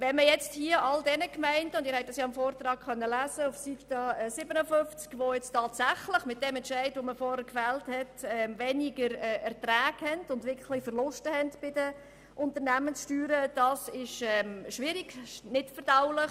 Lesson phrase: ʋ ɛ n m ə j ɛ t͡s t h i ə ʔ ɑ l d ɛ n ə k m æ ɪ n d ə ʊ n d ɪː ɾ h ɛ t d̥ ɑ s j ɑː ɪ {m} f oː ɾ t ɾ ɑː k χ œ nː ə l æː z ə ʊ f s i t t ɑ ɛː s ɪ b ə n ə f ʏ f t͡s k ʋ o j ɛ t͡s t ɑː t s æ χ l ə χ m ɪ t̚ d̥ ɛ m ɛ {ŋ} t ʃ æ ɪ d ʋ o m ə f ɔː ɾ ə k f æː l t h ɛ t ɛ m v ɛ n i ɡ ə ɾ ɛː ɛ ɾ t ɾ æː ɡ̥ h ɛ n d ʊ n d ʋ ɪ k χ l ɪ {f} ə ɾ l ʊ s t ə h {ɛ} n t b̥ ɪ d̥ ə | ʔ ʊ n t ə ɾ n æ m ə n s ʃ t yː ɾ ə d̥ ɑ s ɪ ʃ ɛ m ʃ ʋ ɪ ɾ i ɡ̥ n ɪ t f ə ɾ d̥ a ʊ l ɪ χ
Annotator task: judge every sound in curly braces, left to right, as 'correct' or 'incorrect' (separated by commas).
correct, incorrect, correct, correct